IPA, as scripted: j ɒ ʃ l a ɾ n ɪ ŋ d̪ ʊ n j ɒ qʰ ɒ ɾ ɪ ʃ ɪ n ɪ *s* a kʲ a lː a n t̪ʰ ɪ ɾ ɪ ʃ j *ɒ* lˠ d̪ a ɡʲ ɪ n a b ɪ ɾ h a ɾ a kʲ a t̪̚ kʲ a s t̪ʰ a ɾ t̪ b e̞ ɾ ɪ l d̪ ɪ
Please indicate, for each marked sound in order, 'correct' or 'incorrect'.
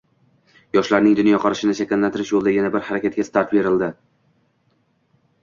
incorrect: ʃ, incorrect: o

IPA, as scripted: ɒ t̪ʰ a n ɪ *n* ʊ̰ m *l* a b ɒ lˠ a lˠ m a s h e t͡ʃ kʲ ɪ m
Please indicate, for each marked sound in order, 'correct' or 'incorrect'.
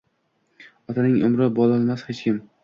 incorrect: ŋ, incorrect: ɾ

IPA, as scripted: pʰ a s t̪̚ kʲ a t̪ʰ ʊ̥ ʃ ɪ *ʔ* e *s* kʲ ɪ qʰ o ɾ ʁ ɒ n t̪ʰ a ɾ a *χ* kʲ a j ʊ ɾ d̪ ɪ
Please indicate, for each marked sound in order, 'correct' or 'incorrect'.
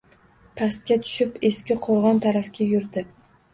incorrect: p, correct, incorrect: f

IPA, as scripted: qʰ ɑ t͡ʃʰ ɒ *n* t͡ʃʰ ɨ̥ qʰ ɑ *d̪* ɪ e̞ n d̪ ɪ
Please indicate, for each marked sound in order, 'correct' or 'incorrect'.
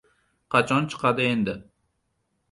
correct, correct

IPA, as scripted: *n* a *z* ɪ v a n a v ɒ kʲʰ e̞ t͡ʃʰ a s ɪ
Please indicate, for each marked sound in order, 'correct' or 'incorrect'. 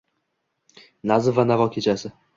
correct, correct

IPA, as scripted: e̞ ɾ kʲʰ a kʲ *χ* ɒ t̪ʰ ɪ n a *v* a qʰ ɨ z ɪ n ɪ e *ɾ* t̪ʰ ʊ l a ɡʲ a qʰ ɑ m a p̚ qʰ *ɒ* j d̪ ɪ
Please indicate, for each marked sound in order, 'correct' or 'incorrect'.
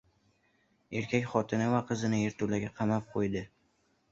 correct, correct, correct, incorrect: o

